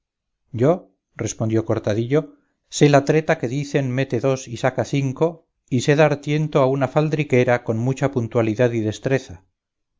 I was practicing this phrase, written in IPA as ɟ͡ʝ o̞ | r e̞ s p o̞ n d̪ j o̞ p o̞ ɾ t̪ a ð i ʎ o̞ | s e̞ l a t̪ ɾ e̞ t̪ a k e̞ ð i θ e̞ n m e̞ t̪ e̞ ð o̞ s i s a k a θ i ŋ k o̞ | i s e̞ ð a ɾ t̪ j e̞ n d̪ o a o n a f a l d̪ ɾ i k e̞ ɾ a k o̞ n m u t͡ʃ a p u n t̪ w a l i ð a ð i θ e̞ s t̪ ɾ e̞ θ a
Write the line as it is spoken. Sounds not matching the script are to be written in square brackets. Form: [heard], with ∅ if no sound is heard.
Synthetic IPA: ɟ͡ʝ o̞ | r e̞ s p o̞ n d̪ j o̞ [k] o̞ ɾ t̪ a ð i ʎ o̞ | s e̞ l a t̪ ɾ e̞ t̪ a k e̞ ð i θ e̞ n m e̞ t̪ e̞ ð o̞ s i s a k a θ i ŋ k o̞ | i s e̞ ð a ɾ t̪ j e̞ n [t̪] o a [u] n a f a l d̪ ɾ i k e̞ ɾ a k o̞ n m u t͡ʃ a p u n t̪ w a l i ð a ð i [ð] e̞ s t̪ ɾ e̞ θ a